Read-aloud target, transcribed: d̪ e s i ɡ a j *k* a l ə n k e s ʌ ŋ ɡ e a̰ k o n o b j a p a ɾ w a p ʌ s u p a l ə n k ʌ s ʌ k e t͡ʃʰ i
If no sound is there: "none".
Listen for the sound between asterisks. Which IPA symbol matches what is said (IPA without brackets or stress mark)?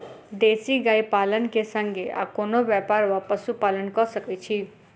p